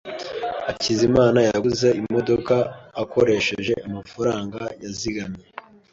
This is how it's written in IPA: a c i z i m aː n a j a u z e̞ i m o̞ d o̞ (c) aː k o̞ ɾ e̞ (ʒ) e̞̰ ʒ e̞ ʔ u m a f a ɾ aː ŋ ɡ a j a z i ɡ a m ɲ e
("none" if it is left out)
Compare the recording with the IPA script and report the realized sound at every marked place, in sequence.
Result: k, ʃ

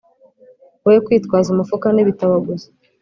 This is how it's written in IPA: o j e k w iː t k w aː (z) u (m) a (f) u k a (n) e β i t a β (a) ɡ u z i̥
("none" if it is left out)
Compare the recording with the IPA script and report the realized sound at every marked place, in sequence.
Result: z, m, f, n, a

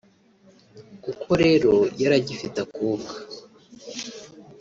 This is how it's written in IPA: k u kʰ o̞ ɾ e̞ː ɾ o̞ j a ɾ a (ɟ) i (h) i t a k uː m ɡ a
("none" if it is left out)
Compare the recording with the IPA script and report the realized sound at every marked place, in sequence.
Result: ɟ, f

